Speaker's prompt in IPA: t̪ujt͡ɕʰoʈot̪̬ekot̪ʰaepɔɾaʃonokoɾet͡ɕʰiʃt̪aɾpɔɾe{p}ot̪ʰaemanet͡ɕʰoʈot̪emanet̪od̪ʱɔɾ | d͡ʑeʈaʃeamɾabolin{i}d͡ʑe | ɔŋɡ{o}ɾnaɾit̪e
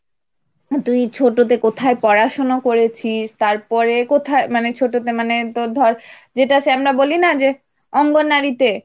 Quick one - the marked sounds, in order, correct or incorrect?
incorrect: k, incorrect: a, correct

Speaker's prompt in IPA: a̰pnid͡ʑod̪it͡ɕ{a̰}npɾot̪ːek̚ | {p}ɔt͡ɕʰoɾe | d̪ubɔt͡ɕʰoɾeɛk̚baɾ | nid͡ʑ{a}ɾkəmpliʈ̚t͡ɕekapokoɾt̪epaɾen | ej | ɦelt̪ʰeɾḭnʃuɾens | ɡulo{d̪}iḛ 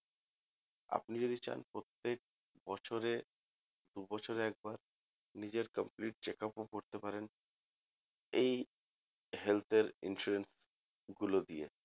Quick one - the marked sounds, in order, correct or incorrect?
correct, incorrect: b, incorrect: e, correct

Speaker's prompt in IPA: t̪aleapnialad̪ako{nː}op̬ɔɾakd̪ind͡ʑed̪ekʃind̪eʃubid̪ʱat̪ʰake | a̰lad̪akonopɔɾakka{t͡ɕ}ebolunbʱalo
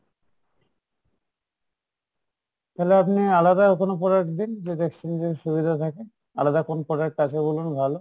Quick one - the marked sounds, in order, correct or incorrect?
incorrect: n, incorrect: t͡ɕʰ

